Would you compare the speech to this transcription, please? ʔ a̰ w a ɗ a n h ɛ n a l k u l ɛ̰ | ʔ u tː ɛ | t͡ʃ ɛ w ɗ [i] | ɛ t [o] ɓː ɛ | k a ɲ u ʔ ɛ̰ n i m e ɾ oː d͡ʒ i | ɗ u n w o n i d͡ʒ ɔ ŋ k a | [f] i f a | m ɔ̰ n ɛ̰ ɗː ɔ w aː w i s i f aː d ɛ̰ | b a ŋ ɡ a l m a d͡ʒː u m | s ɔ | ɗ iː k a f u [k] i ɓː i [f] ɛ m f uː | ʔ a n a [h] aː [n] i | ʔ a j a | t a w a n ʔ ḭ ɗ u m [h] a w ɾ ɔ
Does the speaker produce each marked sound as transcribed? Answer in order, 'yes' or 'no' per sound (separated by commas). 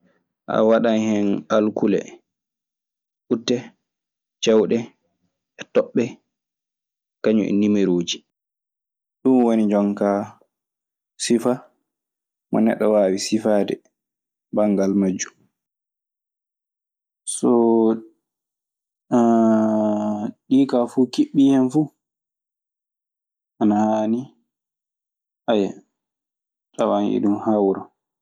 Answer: no, no, no, yes, no, yes, yes, yes